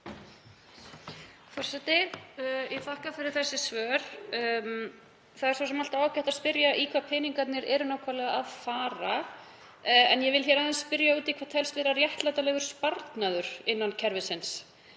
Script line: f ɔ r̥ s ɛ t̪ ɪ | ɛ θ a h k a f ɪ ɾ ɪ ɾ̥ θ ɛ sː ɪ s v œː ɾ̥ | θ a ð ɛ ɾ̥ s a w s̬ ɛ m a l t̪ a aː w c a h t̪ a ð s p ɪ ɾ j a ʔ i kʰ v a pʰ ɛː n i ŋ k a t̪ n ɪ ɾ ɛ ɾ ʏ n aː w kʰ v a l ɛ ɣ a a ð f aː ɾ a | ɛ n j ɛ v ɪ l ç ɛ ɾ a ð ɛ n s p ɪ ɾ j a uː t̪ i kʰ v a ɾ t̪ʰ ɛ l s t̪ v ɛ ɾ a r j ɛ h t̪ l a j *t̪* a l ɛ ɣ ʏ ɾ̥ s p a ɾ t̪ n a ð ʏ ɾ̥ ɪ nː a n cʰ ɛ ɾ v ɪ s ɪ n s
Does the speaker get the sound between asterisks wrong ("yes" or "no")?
no